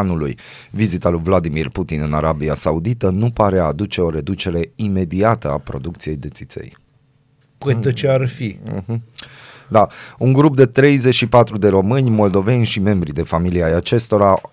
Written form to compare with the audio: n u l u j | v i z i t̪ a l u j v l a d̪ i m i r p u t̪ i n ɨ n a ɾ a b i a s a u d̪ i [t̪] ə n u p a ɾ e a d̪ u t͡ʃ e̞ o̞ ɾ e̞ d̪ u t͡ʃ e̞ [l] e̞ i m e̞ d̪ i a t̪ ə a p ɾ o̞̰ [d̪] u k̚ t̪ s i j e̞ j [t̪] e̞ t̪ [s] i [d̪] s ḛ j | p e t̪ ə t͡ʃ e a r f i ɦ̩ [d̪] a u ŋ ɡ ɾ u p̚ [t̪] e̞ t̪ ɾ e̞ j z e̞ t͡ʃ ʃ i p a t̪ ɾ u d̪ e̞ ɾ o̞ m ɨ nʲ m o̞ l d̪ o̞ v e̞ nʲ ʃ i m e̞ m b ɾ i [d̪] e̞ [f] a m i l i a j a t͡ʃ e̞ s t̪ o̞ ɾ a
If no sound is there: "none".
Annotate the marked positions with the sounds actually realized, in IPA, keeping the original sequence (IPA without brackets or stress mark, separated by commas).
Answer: t̪, ɾ, d̪, d̪, s, t̪, d̪, d̪, d̪, f